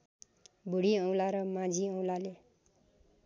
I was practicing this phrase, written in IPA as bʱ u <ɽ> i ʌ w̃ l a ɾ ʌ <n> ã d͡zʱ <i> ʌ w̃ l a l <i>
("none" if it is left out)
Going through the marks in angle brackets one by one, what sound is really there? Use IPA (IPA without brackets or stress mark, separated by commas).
ɽ, m, i, e